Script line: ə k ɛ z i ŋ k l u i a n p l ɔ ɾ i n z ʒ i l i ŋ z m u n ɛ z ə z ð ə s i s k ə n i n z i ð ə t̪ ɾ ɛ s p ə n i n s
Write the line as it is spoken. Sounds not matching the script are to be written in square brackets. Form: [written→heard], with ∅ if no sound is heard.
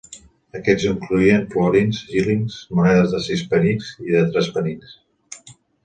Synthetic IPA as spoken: ə k ɛ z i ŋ k l u i [a→ə] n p l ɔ ɾ i n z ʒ i l i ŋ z m u n ɛ [z→ð] ə z ð ə s i s [k→p] ə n i n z i ð ə t̪ ɾ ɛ s p ə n i n s